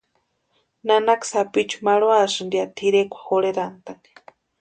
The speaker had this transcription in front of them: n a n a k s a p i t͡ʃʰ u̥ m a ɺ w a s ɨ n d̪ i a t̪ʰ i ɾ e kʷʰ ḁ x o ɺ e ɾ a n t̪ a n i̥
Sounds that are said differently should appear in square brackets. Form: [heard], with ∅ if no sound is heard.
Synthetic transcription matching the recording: n a n a k s a p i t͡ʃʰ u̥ m a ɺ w a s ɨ n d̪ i a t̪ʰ i ɾ e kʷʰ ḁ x o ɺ e ɾ a n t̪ a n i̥